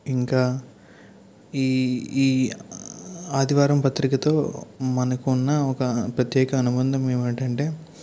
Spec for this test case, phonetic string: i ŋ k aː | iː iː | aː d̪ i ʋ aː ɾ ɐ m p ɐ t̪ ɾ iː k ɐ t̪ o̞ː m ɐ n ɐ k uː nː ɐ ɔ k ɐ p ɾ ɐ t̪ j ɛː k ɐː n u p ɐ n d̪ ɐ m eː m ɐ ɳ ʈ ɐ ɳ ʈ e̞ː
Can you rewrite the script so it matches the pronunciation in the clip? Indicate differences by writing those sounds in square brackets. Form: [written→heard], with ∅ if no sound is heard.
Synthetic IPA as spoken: i ŋ k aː | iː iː | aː d̪ i ʋ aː ɾ ɐ m p ɐ t̪ ɾ [iː→i] k ɐ t̪ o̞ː m ɐ n ɐ k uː nː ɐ ɔ k ɐ p ɾ ɐ t̪ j ɛː k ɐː n u [p→b] ɐ n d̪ ɐ m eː m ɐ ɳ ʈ ɐ ɳ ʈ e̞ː